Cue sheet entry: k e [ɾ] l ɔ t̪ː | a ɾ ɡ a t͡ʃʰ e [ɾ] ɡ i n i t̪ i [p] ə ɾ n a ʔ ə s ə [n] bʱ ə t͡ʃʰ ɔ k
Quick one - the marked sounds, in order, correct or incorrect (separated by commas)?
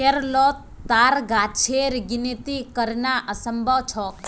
correct, correct, incorrect, incorrect